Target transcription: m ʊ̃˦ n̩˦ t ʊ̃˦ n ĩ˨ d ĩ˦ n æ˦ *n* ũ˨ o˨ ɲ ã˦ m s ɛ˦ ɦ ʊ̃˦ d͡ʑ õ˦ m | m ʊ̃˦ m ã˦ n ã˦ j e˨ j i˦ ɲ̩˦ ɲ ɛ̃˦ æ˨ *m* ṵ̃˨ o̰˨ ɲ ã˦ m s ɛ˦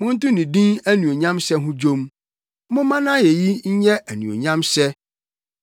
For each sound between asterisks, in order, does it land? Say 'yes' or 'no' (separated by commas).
yes, no